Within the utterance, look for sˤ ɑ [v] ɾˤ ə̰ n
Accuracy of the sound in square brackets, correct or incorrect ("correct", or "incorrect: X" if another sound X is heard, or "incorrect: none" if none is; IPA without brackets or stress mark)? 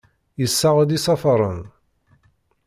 incorrect: f